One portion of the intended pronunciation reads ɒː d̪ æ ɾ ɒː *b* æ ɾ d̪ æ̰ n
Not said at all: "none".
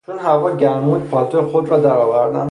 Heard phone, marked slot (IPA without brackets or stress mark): v